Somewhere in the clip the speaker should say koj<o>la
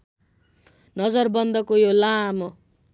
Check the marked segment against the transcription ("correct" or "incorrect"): correct